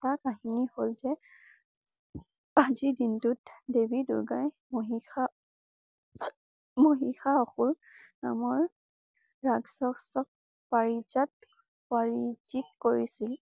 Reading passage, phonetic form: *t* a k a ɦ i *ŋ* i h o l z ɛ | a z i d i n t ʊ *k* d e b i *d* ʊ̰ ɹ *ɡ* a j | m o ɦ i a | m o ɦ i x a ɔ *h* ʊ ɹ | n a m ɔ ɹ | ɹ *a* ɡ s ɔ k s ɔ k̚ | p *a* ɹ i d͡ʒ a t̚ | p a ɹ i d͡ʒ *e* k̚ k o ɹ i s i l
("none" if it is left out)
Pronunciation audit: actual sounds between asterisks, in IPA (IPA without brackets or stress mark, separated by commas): t, n, t, d, ɡ, x, a, a, i